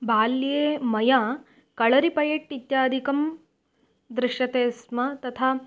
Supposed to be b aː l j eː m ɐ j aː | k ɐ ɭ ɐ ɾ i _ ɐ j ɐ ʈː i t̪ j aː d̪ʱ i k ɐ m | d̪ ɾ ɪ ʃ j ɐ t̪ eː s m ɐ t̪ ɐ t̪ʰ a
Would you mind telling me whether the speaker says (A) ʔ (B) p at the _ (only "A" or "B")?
B